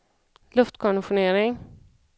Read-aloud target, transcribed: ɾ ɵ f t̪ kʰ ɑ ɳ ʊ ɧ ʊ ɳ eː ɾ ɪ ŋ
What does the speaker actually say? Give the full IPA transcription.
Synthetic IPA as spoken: l ɵ f t̪ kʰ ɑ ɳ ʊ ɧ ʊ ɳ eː ɾ ɪ ŋ